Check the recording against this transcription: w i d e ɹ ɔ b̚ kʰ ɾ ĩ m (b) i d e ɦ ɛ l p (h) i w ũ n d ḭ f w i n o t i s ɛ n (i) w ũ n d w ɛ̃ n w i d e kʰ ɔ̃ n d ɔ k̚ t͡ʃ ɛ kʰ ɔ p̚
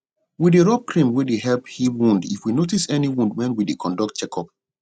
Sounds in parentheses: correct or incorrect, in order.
incorrect, correct, correct

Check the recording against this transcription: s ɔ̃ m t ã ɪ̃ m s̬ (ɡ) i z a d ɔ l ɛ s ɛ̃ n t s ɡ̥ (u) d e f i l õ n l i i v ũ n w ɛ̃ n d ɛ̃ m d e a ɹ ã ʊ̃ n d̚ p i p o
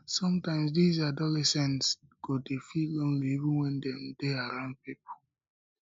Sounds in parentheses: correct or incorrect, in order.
incorrect, incorrect

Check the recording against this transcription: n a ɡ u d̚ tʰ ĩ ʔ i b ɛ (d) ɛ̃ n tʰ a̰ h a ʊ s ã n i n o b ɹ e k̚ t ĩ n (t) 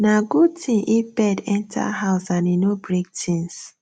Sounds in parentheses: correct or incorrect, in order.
correct, incorrect

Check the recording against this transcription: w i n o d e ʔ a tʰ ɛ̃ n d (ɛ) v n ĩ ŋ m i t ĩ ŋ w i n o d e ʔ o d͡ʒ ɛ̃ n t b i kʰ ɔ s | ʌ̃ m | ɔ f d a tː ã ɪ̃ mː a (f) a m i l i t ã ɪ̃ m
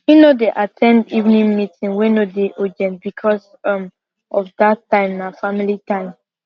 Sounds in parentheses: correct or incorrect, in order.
incorrect, correct

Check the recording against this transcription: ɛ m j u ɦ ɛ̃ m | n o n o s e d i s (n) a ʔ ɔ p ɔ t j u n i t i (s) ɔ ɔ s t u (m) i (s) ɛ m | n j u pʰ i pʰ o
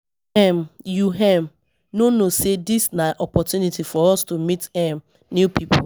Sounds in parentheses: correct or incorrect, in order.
correct, incorrect, correct, incorrect

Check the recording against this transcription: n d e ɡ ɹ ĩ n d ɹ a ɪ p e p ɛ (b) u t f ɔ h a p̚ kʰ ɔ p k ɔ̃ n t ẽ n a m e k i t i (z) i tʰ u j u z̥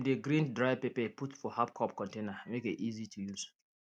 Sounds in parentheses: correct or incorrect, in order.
incorrect, correct

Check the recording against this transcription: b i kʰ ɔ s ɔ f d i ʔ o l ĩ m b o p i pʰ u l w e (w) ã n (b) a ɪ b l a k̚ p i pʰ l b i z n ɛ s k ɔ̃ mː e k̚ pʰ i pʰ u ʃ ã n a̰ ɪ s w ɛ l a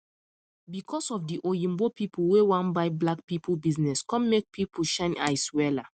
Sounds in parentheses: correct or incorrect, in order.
correct, correct

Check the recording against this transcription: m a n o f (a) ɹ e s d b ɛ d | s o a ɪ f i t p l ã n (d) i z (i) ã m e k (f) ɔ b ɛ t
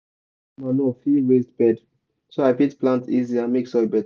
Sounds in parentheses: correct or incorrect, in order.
incorrect, incorrect, correct, incorrect

